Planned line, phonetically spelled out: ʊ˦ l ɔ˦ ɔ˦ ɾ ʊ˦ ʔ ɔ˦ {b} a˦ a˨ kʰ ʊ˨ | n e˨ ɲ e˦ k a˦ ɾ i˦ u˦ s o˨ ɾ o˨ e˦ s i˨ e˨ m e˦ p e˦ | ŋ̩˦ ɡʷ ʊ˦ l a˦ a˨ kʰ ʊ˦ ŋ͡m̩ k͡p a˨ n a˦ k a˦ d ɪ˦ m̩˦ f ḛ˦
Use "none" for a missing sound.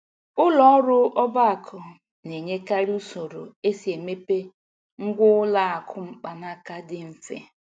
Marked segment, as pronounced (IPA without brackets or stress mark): b